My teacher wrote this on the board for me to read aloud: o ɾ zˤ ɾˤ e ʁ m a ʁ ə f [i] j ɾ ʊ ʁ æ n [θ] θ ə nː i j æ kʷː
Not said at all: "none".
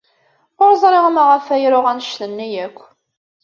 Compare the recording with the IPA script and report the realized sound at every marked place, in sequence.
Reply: æ, ʃ

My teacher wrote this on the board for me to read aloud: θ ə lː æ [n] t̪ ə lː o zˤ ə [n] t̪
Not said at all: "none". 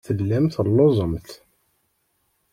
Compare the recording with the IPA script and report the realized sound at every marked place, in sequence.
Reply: m, m

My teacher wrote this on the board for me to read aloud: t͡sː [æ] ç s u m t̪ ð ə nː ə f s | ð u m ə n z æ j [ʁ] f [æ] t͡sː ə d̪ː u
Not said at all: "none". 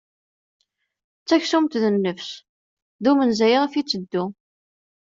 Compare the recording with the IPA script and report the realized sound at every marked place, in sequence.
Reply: æ, ʁ, i

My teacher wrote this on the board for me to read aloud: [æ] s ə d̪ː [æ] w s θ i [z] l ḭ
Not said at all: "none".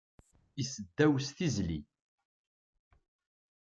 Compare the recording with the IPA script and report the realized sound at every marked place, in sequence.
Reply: i, æ, z

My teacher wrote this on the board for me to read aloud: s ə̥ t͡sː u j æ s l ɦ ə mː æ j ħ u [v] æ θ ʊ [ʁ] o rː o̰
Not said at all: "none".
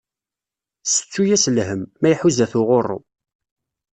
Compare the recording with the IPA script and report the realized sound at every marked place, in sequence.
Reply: z, ʁ

